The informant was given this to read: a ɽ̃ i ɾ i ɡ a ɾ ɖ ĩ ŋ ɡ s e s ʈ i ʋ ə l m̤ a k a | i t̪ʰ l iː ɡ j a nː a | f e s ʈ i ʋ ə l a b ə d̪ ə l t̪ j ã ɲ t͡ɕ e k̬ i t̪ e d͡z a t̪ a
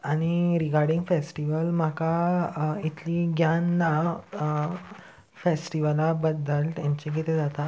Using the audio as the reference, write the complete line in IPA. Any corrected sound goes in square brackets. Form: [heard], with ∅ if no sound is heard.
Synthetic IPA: a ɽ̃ i ɾ i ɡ a ɾ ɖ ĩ ŋ ɡ [f] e s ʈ i ʋ ə l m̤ a k a | i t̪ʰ l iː ɡ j a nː a | f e s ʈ i ʋ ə l a b ə d̪ ə l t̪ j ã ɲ t͡ɕ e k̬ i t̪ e d͡z a t̪ a